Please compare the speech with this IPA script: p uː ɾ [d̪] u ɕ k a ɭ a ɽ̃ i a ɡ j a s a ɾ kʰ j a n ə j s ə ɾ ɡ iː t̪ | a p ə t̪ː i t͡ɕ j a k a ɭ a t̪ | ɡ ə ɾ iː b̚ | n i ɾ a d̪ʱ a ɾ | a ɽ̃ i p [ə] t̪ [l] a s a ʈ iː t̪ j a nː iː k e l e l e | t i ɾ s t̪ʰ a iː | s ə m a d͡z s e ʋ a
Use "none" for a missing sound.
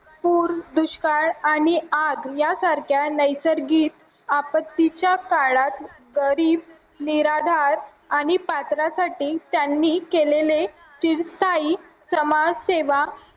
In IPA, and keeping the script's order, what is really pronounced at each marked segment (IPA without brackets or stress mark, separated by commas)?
d̪, a, ɾ